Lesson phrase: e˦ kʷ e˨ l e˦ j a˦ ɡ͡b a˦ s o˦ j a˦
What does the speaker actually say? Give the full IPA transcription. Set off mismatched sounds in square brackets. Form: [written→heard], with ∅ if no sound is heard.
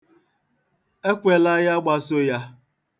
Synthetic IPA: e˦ kʷ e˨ l [e˦→a˦] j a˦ ɡ͡b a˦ s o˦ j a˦